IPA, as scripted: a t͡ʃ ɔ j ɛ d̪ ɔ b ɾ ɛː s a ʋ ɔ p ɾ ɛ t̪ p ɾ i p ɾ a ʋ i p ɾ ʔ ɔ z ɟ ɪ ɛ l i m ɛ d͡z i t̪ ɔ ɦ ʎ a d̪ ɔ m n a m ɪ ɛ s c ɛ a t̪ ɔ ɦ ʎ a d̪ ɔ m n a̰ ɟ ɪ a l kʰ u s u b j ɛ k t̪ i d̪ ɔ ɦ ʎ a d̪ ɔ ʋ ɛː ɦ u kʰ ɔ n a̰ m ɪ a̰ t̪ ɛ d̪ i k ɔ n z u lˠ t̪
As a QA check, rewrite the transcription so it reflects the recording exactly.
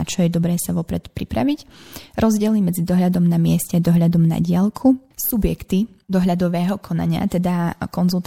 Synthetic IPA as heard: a t͡ʃ ɔ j ɛ d̪ ɔ b ɾ ɛː s a ʋ ɔ p ɾ ɛ t̪ p ɾ i p ɾ a ʋ i c ɾ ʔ ɔ z ɟ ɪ ɛ l i m ɛ d͡z i d̪ ɔ ɦ ʎ a d̪ ɔ m n a m ɪ ɛ s c ɛ a d̪ ɔ ɦ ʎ a d̪ ɔ m n a̰ ɟ ɪ a l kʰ u s u b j ɛ k t̪ i d̪ ɔ ɦ ʎ a d̪ ɔ ʋ ɛː ɦ ɔ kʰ ɔ n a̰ ɲ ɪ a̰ t̪ ɛ d̪ a k ɔ n z u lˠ t̪